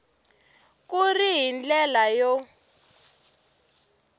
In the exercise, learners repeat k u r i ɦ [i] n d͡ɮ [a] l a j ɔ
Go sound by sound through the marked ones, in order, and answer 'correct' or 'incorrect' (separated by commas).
correct, incorrect